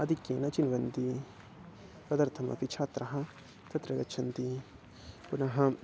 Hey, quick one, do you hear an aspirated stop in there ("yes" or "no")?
yes